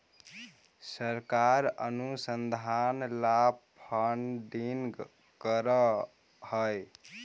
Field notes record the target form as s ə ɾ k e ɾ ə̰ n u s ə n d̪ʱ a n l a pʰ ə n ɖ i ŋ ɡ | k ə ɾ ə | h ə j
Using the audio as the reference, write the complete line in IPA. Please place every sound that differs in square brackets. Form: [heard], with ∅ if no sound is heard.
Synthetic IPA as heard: s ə ɾ k [a] ɾ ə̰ n u s ə n d̪ʱ a n l a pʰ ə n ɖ i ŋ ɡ | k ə ɾ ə | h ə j